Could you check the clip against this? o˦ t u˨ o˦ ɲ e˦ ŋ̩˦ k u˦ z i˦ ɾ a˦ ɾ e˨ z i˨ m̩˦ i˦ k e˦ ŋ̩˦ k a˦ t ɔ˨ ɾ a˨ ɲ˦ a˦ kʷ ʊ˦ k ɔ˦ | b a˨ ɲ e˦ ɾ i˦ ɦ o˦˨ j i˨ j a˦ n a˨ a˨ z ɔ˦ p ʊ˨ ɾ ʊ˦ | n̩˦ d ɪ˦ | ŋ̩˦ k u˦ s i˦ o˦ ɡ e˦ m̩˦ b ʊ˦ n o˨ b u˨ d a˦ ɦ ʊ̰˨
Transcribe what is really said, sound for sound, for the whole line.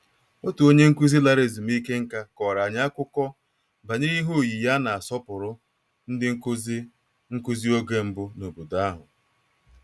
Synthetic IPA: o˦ t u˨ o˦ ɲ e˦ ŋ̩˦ k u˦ z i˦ l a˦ ɾ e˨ z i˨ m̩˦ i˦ k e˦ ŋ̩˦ k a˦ k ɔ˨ ɾ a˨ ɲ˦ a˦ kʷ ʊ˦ k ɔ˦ | b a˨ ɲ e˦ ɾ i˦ ɦ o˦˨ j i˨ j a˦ n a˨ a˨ s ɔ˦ p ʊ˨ ɾ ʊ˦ | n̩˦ d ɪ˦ | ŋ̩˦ k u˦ z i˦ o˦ ɡ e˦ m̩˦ b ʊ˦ n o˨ b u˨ d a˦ ɦ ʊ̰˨